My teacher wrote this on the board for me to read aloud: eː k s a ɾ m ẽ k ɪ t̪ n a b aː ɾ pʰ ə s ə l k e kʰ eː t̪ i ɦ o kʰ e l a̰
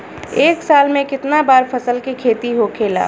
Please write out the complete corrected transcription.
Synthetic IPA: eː k s a l m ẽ k ɪ t̪ n a b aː ɾ pʰ ə s ə l k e kʰ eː t̪ i ɦ o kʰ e l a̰